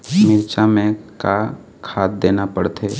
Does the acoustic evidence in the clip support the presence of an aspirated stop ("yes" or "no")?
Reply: yes